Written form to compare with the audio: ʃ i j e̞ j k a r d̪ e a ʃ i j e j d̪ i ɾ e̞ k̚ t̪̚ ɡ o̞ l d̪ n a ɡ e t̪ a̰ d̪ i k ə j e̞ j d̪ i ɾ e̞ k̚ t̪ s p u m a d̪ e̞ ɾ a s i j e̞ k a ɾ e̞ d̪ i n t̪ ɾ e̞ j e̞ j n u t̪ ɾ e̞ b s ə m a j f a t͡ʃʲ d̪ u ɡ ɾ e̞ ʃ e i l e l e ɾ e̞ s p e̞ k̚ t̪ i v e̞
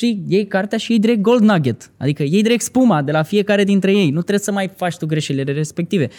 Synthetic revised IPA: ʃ i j e̞ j k a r t̪ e a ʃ i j e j d̪ i ɾ e̞ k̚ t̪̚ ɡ o̞ l d̪ n a ɡ e t̪ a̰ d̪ i k ə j e̞ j d̪ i ɾ e̞ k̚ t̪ s p u m a d̪ e̞ l a f i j e̞ k a ɾ e̞ d̪ i n t̪ ɾ e̞ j e̞ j n u t̪ ɾ e̞ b s ə m a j f a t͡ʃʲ t̪ u ɡ ɾ e̞ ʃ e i l e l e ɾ e̞ s p e̞ k̚ t̪ i v e̞